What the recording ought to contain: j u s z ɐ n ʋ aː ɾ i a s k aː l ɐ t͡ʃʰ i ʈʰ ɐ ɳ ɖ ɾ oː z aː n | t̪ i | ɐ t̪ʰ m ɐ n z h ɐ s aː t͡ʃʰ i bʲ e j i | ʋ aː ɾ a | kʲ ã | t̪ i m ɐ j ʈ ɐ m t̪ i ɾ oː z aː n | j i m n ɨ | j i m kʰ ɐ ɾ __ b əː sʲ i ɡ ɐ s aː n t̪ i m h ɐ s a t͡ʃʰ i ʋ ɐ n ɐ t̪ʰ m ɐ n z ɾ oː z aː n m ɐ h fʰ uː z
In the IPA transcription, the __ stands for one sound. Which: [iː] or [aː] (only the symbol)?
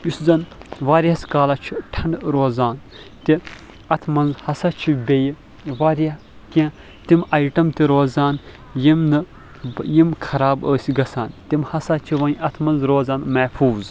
aː